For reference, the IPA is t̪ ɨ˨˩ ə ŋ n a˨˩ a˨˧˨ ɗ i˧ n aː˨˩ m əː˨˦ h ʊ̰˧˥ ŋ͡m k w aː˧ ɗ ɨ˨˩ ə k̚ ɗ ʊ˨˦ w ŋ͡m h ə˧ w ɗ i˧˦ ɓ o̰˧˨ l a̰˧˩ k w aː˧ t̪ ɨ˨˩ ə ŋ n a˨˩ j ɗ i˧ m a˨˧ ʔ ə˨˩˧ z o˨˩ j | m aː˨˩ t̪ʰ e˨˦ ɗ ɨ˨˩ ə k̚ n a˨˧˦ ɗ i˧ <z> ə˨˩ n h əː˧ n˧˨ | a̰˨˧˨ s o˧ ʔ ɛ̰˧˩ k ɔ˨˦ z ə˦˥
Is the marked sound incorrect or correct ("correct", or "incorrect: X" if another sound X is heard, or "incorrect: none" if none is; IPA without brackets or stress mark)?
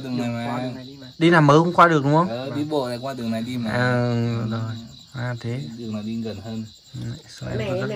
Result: incorrect: ɣ